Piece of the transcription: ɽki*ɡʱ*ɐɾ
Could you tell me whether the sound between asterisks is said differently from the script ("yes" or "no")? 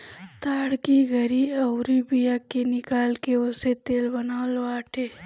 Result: no